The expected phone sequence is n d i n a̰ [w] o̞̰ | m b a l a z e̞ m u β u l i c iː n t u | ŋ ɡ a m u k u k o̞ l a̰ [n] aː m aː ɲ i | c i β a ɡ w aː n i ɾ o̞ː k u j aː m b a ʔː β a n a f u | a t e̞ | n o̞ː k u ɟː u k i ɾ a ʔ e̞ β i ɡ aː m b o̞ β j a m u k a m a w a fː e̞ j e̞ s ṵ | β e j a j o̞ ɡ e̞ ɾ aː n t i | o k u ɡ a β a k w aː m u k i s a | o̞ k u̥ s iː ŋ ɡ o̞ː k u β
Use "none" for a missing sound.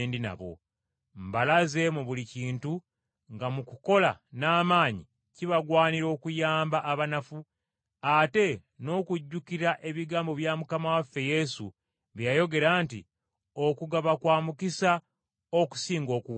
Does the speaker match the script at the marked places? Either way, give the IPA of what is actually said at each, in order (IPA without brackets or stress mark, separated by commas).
β, n